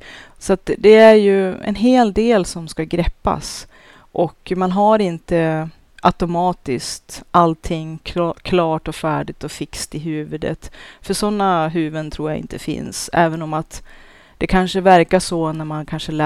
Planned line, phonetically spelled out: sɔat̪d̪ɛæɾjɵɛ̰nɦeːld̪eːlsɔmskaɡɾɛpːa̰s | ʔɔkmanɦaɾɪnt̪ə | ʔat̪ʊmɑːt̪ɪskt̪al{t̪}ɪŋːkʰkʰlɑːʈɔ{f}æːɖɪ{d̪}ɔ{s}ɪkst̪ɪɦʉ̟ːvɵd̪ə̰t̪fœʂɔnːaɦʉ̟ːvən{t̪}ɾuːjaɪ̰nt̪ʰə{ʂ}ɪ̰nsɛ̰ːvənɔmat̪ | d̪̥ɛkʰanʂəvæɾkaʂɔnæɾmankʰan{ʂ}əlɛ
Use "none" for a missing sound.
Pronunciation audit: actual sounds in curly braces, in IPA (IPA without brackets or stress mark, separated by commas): t̪ʰ, f, t̪, f, t̪ʰ, f, ʂ